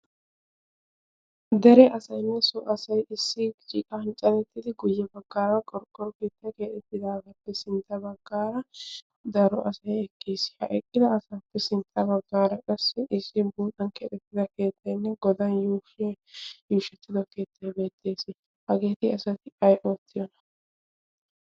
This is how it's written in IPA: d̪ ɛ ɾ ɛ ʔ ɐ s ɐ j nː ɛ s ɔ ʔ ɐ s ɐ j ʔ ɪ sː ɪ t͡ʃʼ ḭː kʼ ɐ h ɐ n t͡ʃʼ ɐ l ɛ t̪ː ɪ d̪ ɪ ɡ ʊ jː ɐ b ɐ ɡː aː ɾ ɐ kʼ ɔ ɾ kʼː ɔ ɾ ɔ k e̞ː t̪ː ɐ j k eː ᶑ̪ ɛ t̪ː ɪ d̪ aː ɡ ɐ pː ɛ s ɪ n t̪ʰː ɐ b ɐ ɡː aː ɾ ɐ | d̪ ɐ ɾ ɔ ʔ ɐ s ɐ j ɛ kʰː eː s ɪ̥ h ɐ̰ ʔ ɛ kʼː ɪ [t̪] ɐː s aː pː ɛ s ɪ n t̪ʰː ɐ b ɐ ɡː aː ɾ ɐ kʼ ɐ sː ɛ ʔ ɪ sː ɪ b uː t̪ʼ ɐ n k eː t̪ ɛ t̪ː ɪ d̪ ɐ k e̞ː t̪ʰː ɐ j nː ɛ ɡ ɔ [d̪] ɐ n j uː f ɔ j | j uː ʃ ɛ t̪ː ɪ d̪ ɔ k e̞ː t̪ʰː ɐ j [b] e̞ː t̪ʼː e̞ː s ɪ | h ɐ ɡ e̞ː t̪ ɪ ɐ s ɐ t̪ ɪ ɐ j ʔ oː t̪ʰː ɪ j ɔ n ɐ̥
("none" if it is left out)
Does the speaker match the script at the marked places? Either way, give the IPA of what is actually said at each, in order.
d̪, d̪, b

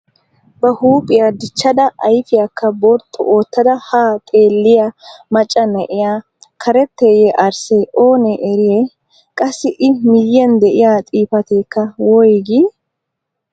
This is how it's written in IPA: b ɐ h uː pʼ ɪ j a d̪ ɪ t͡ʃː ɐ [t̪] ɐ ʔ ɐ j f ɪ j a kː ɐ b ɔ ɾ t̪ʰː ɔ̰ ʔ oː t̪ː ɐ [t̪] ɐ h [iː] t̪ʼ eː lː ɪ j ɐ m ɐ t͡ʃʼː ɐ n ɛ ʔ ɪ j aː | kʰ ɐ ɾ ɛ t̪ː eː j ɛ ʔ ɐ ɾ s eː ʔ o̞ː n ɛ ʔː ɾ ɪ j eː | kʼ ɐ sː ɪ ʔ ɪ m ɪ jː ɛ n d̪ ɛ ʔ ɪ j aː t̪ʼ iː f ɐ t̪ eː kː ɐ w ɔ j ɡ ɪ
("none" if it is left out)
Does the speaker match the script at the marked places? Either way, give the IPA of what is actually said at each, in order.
d̪, d̪, aː

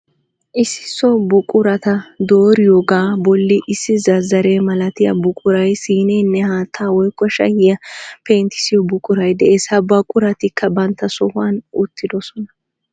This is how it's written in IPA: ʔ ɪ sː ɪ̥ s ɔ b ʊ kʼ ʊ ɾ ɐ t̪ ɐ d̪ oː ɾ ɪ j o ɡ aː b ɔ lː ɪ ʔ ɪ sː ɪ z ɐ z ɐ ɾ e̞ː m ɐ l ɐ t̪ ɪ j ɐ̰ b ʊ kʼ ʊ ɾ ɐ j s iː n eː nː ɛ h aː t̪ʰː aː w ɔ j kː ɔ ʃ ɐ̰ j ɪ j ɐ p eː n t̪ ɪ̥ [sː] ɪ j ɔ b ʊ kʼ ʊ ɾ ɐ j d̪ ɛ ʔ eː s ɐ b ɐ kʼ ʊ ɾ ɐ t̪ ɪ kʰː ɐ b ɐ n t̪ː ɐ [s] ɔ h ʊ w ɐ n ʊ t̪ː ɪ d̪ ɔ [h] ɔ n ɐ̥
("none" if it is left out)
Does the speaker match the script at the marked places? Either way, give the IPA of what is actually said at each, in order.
s, s, s

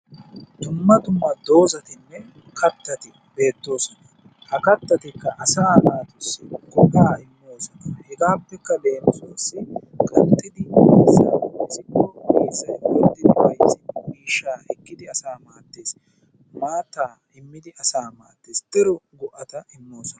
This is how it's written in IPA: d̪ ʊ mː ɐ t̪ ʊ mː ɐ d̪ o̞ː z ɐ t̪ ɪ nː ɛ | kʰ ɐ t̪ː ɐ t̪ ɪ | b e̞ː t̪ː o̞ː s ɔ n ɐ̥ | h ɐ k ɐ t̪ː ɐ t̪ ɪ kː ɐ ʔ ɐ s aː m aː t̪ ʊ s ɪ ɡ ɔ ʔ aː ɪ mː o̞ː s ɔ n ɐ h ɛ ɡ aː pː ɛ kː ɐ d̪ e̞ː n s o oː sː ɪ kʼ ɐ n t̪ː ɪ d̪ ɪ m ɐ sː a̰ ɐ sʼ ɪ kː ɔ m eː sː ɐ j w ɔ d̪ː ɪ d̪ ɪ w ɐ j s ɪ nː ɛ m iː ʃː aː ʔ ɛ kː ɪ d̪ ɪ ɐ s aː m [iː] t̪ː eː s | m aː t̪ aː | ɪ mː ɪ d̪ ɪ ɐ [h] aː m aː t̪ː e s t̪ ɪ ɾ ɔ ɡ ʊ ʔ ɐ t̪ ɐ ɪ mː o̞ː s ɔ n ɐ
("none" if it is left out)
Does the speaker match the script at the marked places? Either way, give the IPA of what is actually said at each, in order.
aː, s

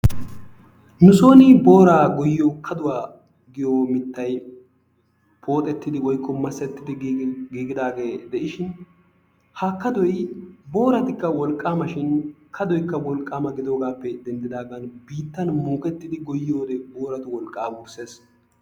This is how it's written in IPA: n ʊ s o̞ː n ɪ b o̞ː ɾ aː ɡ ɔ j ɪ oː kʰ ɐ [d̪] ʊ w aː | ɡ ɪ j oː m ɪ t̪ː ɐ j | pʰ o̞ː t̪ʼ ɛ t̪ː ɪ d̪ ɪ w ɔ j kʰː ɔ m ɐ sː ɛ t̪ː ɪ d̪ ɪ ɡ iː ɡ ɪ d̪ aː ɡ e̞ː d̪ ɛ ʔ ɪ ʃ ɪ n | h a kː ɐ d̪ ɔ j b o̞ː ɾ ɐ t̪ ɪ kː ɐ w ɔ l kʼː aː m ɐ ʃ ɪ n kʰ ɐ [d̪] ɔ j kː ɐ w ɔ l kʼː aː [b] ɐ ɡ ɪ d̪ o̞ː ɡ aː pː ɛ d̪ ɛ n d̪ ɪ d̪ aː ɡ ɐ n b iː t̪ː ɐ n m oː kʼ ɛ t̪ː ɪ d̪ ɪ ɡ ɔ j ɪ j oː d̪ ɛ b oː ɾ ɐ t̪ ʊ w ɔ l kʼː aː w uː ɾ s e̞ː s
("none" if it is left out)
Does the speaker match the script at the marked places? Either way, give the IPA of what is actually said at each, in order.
d̪, d̪, m

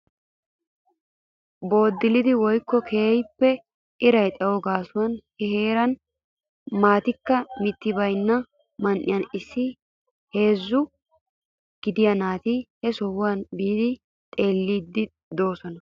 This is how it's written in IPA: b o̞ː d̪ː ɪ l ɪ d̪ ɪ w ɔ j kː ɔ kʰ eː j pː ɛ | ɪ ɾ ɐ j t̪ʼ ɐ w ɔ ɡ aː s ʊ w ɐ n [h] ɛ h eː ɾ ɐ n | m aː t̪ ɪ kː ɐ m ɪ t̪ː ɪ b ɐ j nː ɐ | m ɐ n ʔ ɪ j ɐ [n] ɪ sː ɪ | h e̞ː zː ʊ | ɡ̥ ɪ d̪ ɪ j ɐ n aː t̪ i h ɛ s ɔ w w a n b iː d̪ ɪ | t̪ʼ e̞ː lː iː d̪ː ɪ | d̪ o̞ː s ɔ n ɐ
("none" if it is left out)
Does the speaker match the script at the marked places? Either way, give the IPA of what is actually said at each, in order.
h, n

